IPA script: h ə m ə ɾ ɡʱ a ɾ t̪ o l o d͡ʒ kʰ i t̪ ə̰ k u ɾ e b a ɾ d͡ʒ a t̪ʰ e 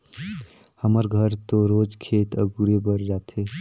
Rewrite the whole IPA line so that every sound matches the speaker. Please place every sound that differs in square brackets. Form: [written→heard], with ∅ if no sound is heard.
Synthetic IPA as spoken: h ə m ə ɾ ɡʱ [a→ə] ɾ t̪ o [l→ɾ] o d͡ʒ kʰ [i→e] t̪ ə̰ [k→ɡ] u ɾ e b [a→ə] ɾ d͡ʒ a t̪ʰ e